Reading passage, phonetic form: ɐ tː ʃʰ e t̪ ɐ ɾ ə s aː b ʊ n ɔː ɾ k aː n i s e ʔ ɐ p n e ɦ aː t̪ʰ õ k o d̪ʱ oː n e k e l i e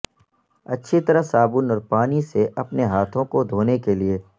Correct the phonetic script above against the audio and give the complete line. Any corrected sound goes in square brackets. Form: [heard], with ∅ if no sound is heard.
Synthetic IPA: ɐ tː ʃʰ [i] t̪ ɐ ɾ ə s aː b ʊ n ɔː ɾ [p] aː n i s e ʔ ɐ p n e ɦ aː t̪ʰ õ k o d̪ʱ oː n e k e l i e